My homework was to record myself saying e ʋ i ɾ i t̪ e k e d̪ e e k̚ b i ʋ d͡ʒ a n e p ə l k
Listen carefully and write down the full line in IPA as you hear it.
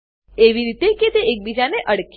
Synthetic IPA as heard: e ʋ i ɾ i t̪ e k e t̪ e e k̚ b i d͡ʒ a n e ʔ ə ɽ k

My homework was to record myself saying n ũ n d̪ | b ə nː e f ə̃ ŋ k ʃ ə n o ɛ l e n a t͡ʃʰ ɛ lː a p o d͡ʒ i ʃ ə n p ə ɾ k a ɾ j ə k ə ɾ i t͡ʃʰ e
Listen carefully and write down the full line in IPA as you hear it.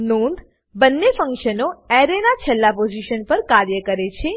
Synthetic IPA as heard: n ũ n d̪ | b ə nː e f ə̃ ŋ k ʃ ə n o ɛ ɾ e n a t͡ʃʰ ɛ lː a p o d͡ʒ i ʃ ə n p ə ɾ k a ɾ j ə k ə ɾ e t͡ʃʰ e

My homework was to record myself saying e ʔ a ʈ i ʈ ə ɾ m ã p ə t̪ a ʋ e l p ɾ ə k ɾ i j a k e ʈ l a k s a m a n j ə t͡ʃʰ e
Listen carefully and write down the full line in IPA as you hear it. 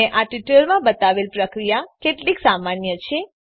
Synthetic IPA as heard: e ʔ a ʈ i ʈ ə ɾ m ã b ə t̪ a ʋ e l p ɾ ə k ɾ i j a k e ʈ l i k s a m a n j ə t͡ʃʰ e

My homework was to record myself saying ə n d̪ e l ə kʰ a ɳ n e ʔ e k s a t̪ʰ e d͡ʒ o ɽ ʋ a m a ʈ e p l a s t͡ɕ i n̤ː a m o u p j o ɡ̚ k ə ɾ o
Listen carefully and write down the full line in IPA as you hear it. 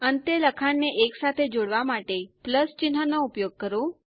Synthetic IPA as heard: ə n t̪ e l ə kʰ a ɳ n e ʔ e k s a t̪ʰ e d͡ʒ o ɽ ʋ a m a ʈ e p l ə s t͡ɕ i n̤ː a n o u p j o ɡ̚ k ə ɾ o

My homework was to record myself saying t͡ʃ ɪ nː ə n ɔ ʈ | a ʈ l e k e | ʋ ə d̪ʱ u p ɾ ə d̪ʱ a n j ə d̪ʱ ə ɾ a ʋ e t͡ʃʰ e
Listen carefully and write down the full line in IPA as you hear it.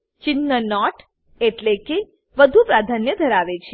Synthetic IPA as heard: t͡ʃ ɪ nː ə n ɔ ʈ | e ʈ l e k e | ʋ ə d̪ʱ u p ɾ a d̪ʱ a n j ə d̪ʱ ə ɾ a ʋ e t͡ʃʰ e

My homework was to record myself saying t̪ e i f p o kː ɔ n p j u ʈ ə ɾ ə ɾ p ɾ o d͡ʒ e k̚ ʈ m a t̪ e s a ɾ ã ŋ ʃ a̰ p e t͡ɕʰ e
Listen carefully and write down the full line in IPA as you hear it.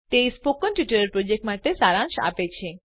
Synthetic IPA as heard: t̪ e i s p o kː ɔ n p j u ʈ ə ɾ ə ɾ p ɾ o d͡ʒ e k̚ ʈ m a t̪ e s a ɾ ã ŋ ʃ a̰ p e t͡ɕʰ e

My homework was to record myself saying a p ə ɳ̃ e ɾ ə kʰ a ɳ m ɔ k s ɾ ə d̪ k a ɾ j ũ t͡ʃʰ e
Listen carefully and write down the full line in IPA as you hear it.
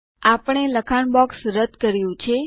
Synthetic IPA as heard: a p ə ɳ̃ e l ə kʰ a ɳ b ɔ k s ɾ ə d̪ k ə ɾ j ũ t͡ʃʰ e

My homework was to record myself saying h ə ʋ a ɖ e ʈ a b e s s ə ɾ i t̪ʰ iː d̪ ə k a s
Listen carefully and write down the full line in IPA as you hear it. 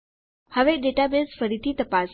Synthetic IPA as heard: h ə ʋ e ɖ e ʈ a b e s f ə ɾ i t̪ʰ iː t̪ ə p a s

